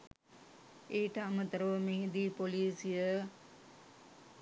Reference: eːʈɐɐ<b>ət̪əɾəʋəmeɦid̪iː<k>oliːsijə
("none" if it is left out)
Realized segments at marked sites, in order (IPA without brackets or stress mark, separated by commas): m, p